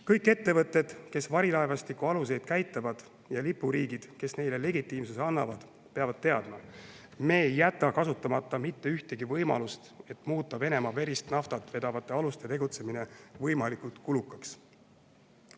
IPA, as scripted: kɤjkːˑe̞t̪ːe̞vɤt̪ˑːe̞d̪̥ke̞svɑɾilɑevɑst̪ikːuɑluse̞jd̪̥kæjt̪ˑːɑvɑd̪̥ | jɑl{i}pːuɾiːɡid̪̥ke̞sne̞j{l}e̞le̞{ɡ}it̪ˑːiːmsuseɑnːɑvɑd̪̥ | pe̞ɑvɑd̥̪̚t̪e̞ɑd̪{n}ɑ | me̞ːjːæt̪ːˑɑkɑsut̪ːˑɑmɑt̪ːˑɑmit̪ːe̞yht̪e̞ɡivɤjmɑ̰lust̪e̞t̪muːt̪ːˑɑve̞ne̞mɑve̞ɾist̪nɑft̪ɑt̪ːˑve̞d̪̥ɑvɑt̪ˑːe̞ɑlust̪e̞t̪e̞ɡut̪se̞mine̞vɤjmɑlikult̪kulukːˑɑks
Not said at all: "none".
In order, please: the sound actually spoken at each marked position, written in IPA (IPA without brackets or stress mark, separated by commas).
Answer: i, l, ɡ, m